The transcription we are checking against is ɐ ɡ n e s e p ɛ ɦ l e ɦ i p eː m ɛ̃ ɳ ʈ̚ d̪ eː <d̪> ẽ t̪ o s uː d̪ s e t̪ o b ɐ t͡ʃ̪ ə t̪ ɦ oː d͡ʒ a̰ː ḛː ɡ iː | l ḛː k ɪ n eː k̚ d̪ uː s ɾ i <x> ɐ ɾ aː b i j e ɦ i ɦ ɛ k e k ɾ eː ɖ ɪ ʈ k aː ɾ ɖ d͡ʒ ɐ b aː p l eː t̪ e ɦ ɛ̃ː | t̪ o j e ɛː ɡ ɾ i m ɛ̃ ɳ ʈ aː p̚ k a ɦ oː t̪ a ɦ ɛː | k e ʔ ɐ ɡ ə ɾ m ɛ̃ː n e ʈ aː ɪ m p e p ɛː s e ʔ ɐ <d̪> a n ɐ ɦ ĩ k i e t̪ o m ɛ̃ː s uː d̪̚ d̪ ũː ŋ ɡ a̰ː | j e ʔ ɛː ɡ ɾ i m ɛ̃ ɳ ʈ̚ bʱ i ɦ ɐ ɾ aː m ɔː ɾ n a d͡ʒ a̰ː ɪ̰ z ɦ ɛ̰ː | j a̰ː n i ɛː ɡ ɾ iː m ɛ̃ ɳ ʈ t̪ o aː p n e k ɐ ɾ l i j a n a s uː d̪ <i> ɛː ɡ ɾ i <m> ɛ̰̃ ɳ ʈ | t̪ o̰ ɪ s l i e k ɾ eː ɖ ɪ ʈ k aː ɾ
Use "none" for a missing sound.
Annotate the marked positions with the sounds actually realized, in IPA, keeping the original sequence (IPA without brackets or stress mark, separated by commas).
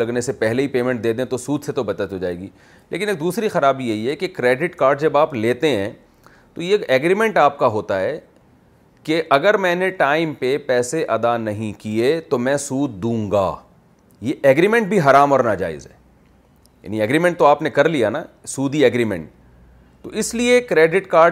d̪, x, d̪, i, m